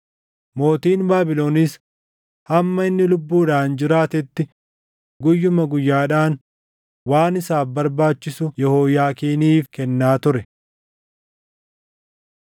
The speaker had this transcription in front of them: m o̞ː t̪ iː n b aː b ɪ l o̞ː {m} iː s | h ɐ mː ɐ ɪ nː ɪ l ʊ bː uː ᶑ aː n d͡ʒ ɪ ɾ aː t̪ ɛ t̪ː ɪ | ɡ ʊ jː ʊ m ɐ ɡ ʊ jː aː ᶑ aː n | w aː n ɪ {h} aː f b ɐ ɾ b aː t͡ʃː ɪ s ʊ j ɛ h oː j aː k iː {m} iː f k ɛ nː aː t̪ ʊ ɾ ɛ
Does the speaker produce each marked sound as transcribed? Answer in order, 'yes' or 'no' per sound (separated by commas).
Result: no, no, no